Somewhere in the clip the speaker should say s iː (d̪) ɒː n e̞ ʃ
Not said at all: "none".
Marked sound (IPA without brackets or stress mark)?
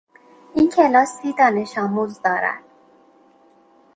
d̪